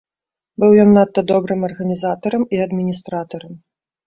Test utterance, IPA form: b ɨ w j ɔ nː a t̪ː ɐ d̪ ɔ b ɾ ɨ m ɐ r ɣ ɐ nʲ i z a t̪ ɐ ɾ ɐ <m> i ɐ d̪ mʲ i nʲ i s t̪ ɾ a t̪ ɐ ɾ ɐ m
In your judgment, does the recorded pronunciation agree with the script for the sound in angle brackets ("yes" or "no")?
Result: yes